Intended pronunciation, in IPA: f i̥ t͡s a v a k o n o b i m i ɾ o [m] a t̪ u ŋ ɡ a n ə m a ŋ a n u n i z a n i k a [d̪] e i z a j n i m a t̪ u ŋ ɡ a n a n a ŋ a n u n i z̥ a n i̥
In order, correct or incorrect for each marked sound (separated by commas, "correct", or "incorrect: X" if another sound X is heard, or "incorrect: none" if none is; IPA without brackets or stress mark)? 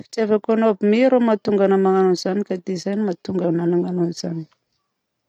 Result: correct, correct